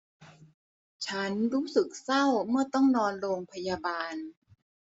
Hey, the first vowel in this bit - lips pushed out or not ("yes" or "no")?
no